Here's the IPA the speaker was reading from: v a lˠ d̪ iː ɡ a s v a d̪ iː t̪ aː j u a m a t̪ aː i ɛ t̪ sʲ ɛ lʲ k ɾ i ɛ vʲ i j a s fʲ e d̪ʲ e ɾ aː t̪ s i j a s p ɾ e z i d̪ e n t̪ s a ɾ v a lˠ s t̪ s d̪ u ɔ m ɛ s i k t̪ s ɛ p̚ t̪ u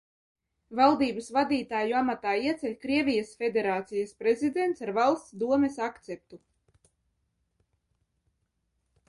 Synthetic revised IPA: v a lˠ d̪ iː b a s v a d̪ iː t̪ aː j u a m a t̪ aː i ɛ t̪ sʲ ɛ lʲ k ɾ i ɛ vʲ i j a s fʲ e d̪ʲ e ɾ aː t̪ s i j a s p ɾ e z i d̪ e n t̪ s a ɾ v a lˠ s t̪ s d̪ u ɔ m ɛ s a k t̪ s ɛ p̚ t̪ u

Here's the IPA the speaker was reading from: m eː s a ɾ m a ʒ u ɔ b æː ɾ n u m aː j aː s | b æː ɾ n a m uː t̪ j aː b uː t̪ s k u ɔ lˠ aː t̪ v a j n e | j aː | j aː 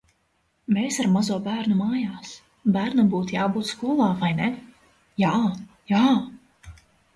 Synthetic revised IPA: m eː s a ɾ m a z u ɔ b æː ɾ n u m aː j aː s | b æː ɾ n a b uː t̪ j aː b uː t̪ s k u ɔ lˠ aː v a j n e | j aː | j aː

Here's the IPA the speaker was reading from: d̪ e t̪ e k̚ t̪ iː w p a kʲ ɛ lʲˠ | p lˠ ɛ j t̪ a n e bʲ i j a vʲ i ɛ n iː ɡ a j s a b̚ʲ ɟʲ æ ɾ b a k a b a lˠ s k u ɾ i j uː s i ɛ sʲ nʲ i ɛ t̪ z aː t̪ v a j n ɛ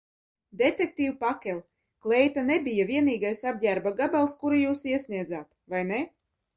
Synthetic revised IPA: d̪ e t̪ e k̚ t̪ iː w p a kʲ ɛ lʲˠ | k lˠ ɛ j t̪ a n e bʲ i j a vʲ i ɛ n iː ɡ a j s a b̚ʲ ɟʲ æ ɾ b a ɡ a b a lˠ s k u ɾ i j uː s i ɛ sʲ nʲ i ɛ d̪ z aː t̪ v a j n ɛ

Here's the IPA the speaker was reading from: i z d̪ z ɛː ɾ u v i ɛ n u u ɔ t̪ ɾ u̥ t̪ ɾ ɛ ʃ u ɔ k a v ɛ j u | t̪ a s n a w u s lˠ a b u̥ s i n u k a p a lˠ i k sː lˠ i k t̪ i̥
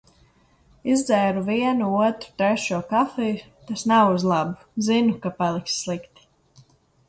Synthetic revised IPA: i z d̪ z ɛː ɾ u v i ɛ n u u ɔ t̪ ɾ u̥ t̪ ɾ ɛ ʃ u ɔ k a f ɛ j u | t̪ a s n a w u z lˠ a b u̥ z i n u k a p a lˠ i k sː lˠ i k t̪ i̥

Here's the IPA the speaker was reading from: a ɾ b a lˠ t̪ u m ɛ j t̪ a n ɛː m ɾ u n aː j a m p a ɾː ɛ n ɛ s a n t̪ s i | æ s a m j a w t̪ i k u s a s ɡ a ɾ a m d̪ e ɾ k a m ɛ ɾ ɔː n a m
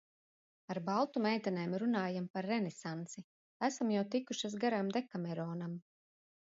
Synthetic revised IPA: a ɾ b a lˠ t̪ u m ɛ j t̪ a n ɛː m ɾ u n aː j a m p a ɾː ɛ n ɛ s a n t̪ s i | æ s a m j a w t̪ i k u ʃ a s ɡ a ɾ a m d̪ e k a m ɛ ɾ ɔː n a m

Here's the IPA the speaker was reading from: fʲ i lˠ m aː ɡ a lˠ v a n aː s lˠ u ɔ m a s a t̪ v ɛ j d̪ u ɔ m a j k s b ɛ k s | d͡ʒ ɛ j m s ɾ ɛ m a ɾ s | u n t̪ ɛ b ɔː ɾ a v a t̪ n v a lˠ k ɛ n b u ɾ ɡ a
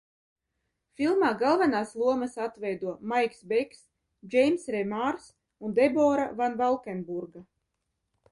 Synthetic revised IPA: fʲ i lˠ m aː ɡ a lˠ v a n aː s lˠ u ɔ m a s a t̪ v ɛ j d̪ u ɔ m a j k s b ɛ k s | d͡ʒ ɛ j m s ɾ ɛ m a ɾ s | u n d̪ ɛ b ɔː ɾ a v a n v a lˠ k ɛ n b u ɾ ɡ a

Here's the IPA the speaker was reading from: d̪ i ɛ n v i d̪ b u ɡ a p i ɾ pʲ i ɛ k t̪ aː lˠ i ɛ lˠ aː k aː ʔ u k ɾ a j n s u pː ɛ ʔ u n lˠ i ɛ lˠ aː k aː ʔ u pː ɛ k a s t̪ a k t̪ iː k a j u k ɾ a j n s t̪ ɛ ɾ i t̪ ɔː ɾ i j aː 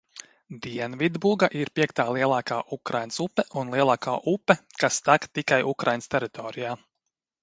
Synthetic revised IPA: d̪ i ɛ n v i d̪ b u ɡ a ʔ i ɾ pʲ i ɛ k t̪ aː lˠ i ɛ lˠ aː k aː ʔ u k ɾ a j n s u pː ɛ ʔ u n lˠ i ɛ lˠ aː k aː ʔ u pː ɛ k a s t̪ a k t̪ i k a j u k ɾ a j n s t̪ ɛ ɾ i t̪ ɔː ɾ i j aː

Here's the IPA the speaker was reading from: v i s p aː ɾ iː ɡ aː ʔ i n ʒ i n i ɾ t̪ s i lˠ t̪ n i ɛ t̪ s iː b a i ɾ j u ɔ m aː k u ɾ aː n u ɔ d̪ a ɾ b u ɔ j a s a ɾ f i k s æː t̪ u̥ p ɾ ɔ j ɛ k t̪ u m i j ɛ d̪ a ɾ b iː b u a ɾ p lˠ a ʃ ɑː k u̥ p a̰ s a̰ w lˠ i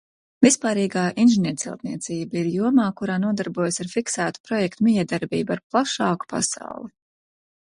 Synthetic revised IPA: v i s p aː ɾ iː ɡ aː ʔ i n ʒ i n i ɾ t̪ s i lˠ t̪ n i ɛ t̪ s iː b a i ɾ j u ɔ m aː k u ɾ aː n u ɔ d̪ a ɾ b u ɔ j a s a ɾ f i k s æː t̪ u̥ p ɾ ɔ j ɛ k t̪ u m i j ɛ d̪ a ɾ b iː b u a ɾ p lˠ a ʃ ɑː k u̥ p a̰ s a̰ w lˠ i

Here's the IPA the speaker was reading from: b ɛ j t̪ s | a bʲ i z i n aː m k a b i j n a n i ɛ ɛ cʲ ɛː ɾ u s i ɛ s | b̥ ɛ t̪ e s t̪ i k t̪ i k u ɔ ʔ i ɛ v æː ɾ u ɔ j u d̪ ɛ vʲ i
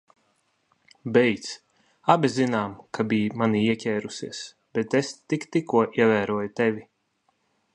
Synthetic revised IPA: b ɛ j t̪ s | a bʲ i z i n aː m k a b i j m a n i i ɛ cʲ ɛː ɾ u s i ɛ s | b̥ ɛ t̪ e s t̪ i k t̪ i k u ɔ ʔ i ɛ v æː ɾ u ɔ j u t̪ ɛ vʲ i

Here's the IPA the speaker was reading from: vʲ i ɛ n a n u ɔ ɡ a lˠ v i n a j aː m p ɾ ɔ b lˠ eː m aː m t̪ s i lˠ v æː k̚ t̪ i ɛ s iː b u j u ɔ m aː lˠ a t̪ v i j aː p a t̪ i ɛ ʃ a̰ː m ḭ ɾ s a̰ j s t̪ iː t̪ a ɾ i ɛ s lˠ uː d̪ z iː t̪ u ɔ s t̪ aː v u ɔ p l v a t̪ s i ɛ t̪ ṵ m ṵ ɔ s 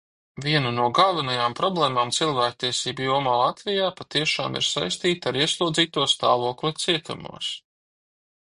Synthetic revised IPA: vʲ i ɛ n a n u ɔ ɡ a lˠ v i n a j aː m p ɾ ɔ b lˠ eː m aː m t̪ s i lˠ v æː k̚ t̪ i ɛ s iː b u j u ɔ m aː lˠ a t̪ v i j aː p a t̪ i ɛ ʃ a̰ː m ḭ ɾ s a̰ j s t̪ iː t̪ a ɾ i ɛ s lˠ uː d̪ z iː t̪ u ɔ s t̪ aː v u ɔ k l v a t̪ s i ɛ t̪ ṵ m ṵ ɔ s

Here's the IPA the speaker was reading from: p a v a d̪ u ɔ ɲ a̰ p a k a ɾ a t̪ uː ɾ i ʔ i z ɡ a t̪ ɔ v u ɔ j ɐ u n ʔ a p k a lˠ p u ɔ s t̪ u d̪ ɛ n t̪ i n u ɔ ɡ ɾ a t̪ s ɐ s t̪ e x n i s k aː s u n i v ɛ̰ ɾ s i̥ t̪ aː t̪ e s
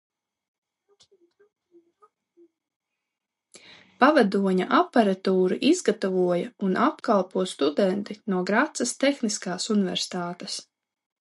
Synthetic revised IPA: p a v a d̪ u ɔ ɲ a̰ ʔ a p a ɾ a t̪ uː ɾ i ʔ i z ɡ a t̪ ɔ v u ɔ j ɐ u n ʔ a p k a lˠ p u ɔ s t̪ u d̪ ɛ n t̪ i n u ɔ ɡ ɾ a t̪ s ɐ s t̪ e x n i s k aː s u n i v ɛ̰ ɾ s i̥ t̪ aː t̪ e s

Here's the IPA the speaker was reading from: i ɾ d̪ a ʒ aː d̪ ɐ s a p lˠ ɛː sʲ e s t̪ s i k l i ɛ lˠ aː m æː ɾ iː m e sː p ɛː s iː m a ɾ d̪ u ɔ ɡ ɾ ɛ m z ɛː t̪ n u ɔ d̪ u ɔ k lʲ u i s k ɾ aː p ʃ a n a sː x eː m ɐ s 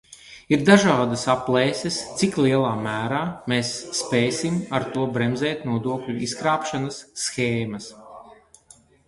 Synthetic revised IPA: i ɾ d̪ a ʒ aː d̪ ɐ s a p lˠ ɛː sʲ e s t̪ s i k l i ɛ lˠ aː m æː ɾ aː m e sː p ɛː s i m a ɾ t̪ u ɔ b ɾ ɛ m z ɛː t̪ n u ɔ d̪ u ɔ k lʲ u i s k ɾ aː p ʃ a n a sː x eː m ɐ s

